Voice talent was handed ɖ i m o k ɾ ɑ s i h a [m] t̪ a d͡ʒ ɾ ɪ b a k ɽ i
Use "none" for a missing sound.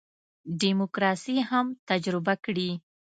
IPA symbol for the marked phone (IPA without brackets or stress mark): m